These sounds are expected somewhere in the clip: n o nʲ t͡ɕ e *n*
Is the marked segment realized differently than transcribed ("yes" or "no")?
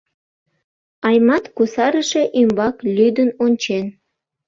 no